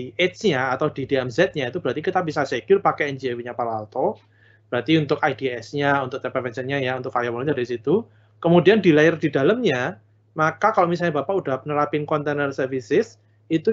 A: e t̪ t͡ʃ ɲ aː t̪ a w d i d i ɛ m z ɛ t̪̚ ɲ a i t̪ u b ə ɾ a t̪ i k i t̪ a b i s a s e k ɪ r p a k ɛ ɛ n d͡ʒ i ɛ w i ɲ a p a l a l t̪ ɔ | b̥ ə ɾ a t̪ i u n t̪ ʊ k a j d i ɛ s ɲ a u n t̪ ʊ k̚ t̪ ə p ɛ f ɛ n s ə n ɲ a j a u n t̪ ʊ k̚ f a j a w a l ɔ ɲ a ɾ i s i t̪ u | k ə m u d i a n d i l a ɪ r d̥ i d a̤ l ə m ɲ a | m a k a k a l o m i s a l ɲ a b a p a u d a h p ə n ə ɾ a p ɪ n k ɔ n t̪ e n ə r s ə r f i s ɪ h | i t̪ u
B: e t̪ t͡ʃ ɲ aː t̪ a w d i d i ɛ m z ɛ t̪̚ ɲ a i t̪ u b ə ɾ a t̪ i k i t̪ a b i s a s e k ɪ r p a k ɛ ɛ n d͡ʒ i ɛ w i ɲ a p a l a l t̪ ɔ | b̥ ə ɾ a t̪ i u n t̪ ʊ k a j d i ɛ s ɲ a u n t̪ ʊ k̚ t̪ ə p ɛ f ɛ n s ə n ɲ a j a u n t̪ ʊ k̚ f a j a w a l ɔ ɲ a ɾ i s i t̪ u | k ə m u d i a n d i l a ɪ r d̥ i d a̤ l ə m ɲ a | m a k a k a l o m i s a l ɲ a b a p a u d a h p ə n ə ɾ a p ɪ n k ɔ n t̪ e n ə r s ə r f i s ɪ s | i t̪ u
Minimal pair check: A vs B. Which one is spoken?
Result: B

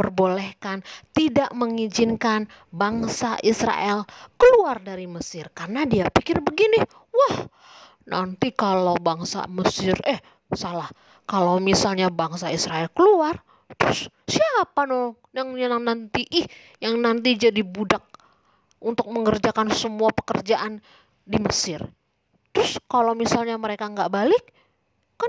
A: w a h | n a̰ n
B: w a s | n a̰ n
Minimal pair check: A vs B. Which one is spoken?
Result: A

